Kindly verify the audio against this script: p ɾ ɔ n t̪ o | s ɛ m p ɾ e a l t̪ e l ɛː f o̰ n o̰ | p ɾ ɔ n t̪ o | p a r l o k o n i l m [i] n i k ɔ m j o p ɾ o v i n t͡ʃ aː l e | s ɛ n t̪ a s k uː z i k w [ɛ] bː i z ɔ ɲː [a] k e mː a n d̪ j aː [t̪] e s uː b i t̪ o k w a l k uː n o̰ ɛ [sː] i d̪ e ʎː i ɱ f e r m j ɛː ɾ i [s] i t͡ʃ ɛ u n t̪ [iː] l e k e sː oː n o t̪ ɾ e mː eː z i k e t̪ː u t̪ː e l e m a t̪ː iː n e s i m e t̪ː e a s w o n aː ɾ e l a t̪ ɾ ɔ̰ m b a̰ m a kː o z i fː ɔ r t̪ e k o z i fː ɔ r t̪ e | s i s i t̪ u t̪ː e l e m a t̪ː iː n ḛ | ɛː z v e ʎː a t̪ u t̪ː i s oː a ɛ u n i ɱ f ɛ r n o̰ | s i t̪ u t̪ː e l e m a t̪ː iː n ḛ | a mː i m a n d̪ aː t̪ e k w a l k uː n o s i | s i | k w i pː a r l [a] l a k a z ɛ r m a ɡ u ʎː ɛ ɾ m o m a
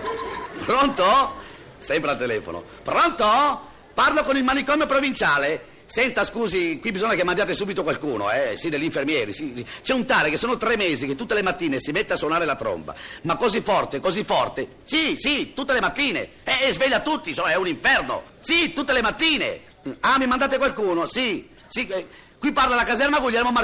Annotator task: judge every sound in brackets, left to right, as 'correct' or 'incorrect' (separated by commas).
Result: incorrect, incorrect, correct, correct, incorrect, correct, incorrect, correct